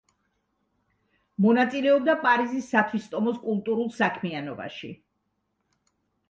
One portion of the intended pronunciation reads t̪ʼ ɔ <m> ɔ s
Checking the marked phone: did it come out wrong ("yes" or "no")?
no